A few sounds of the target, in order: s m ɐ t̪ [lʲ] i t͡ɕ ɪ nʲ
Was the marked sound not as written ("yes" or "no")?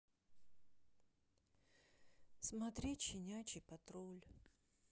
yes